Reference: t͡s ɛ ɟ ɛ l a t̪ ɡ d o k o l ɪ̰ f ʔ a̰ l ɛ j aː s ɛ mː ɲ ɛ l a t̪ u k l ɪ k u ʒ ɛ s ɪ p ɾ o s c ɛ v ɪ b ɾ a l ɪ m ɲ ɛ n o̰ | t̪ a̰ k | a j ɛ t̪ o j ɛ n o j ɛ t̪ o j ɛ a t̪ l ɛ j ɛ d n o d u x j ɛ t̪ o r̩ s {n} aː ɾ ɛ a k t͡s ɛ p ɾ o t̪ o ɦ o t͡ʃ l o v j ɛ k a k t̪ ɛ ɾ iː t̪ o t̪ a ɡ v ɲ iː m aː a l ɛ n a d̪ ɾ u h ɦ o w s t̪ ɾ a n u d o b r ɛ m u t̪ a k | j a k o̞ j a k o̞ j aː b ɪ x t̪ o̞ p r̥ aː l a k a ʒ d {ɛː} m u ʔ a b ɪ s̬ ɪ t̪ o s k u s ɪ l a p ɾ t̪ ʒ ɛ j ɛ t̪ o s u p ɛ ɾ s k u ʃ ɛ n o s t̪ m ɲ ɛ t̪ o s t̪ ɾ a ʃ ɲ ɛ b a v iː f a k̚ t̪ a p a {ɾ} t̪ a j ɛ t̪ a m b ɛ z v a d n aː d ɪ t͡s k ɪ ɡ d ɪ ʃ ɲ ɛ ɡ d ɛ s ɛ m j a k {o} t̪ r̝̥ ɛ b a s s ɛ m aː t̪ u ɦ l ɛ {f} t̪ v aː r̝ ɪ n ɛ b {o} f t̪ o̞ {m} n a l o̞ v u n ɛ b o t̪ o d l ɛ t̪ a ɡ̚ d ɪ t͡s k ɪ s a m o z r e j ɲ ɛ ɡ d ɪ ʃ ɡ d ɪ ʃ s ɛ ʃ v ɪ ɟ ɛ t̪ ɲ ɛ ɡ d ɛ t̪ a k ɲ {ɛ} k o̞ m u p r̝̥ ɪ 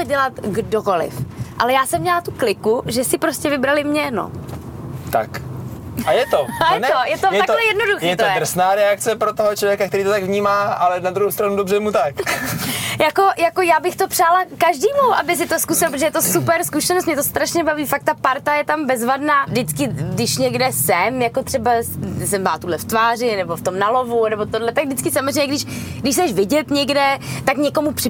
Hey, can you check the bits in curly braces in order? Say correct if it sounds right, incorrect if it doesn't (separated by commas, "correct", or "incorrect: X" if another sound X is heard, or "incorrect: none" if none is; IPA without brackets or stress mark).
correct, incorrect: iː, correct, correct, correct, correct, correct, correct